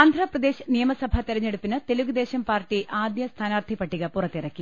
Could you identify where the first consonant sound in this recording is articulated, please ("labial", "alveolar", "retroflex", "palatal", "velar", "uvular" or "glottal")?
alveolar